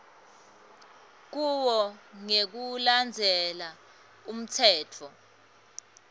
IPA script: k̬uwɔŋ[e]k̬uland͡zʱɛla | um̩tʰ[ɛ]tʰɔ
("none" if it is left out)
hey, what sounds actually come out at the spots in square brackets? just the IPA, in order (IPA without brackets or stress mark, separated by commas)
e, ɛː